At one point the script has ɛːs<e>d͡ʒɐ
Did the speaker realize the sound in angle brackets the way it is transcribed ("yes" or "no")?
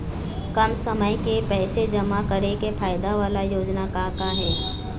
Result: yes